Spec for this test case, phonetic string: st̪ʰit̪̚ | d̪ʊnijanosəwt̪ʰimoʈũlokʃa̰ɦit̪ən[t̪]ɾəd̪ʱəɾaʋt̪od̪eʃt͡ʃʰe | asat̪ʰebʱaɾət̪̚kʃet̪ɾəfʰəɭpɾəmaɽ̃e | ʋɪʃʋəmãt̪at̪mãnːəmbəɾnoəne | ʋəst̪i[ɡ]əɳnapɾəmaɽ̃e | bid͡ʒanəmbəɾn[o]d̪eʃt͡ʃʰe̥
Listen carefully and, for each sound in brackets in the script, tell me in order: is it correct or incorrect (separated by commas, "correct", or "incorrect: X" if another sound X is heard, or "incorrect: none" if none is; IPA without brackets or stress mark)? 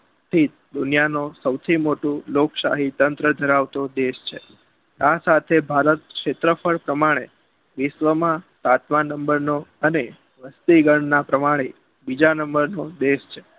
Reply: correct, correct, correct